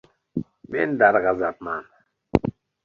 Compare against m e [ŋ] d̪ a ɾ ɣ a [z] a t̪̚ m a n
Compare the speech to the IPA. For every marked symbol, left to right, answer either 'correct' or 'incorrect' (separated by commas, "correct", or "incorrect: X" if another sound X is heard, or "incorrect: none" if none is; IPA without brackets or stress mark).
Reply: incorrect: n, correct